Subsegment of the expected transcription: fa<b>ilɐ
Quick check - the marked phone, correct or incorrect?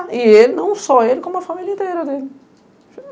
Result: incorrect